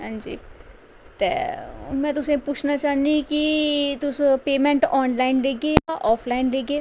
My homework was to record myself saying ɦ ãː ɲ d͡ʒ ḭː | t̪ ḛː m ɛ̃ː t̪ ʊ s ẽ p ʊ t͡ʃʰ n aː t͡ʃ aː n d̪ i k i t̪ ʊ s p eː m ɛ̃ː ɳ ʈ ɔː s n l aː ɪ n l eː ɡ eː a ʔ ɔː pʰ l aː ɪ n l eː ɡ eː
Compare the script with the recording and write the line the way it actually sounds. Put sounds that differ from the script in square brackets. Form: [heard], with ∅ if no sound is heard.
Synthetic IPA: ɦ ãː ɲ d͡ʒ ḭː | t̪ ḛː m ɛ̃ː t̪ ʊ s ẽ p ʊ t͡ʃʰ n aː t͡ʃ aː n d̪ i k i t̪ ʊ s p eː m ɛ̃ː ɳ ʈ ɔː [∅] n l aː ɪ n l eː ɡ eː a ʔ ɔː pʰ l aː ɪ n l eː ɡ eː